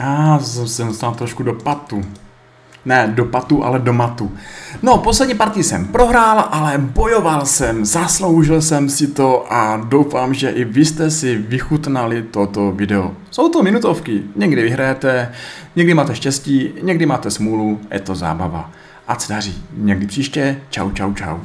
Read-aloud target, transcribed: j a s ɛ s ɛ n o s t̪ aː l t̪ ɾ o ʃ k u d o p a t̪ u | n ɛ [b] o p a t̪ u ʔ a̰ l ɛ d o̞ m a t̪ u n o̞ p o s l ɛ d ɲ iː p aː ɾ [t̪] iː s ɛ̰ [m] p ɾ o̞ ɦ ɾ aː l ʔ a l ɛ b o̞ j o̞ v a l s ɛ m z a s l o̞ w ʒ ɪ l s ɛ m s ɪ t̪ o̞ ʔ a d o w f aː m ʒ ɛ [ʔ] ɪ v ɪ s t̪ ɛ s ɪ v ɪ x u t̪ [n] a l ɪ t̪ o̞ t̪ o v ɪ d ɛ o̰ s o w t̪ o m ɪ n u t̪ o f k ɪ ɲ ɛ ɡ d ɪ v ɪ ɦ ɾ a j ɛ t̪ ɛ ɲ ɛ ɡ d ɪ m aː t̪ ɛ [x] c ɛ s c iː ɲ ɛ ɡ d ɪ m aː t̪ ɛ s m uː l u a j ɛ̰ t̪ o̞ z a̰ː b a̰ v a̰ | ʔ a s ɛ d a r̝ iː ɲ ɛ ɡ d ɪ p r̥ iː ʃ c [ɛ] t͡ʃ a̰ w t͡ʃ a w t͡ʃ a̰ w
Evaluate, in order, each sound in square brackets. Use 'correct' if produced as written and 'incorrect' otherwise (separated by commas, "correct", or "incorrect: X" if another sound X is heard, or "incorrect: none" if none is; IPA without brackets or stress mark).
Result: incorrect: d, correct, correct, correct, correct, incorrect: ʃ, correct